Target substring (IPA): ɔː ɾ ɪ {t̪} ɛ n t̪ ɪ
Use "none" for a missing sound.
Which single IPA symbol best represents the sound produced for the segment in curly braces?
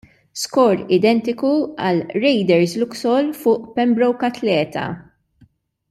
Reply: d̪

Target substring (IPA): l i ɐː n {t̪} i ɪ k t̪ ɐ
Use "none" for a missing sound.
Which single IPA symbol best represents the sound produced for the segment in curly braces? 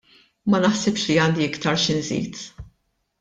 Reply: d̪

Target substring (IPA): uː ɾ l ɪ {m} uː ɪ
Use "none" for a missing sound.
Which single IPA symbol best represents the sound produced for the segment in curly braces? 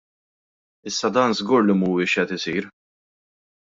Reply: m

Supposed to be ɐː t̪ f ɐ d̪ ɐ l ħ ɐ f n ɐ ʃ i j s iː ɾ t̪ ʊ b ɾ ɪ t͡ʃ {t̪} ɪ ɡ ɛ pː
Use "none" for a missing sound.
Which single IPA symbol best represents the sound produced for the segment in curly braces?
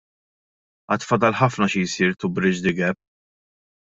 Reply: d̪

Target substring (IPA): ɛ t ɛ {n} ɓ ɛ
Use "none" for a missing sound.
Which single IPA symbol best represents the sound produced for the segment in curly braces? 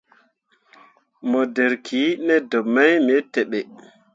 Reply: none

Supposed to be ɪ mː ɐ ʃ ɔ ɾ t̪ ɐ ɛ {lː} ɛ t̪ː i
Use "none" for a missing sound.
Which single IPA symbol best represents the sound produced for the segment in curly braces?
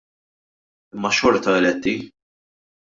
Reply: l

